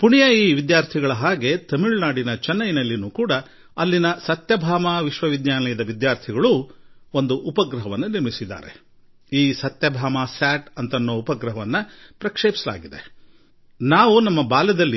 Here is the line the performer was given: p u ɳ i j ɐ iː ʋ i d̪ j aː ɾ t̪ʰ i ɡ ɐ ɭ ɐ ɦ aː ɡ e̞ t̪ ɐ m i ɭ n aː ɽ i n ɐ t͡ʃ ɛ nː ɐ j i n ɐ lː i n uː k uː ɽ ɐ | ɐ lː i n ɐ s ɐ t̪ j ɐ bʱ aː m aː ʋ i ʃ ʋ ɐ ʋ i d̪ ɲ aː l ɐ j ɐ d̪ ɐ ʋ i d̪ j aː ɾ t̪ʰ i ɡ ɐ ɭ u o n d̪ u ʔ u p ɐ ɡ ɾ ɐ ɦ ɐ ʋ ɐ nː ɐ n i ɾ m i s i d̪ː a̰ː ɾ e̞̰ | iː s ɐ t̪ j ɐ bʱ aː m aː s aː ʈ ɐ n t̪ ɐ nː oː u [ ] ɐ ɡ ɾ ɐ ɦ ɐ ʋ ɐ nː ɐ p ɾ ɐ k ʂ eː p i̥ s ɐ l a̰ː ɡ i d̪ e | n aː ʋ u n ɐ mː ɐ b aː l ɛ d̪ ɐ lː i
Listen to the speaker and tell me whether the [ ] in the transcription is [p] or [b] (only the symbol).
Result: p